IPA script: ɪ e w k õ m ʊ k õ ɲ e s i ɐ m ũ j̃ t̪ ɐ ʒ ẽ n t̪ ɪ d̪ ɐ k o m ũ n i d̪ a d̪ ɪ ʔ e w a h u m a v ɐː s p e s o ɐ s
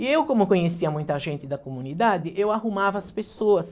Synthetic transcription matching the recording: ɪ e w k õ m ʊ k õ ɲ e s i ɐ m ũ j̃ t̪ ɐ ʒ ẽ n t̪ ɪ d̪ ɐ k o m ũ n i d̪ a d̪ ɪ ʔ e w a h u m a v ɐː s p e s o ɐ s